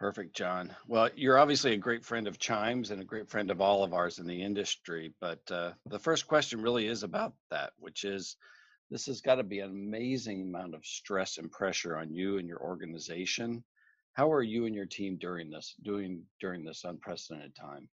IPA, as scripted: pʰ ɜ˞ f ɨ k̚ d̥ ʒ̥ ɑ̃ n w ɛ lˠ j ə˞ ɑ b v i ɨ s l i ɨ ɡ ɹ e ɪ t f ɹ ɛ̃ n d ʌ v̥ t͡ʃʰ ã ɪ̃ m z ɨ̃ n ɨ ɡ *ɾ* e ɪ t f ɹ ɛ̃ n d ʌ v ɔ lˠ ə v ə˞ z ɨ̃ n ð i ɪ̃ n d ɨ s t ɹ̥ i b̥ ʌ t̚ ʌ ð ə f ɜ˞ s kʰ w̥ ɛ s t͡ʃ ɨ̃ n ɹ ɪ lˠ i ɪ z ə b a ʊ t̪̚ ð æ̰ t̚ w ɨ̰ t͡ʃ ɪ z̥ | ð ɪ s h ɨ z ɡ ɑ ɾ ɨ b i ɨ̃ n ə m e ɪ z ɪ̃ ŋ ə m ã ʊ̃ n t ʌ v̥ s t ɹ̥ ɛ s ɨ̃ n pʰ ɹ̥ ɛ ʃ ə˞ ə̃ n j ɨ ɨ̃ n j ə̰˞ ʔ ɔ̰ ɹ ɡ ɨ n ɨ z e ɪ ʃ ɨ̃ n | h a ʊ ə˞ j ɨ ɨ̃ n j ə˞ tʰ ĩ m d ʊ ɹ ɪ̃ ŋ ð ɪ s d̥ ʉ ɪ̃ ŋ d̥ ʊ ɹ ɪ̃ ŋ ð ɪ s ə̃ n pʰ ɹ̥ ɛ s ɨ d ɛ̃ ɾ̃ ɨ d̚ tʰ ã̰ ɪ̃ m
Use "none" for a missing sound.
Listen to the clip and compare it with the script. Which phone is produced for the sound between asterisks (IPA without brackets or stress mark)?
ɹ